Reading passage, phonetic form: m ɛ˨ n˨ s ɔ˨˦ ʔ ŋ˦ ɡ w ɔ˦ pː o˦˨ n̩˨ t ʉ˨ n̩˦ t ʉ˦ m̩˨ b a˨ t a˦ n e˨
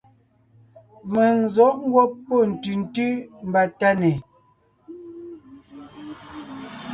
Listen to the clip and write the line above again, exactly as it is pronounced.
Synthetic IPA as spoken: m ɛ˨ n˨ z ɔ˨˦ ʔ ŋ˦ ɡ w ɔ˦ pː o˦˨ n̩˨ t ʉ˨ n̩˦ t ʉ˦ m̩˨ b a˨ t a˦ n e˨